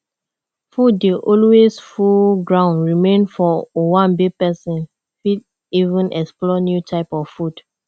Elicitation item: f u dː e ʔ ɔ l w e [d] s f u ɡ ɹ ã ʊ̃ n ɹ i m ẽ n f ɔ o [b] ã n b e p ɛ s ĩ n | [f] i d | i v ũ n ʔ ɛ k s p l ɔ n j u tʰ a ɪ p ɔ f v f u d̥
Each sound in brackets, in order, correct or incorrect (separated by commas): incorrect, incorrect, correct